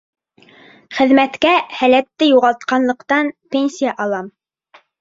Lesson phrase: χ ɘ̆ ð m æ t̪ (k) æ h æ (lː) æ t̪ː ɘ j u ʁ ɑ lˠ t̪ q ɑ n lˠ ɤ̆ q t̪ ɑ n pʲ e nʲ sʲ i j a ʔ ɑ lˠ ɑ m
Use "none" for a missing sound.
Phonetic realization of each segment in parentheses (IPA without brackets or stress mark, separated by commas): k, l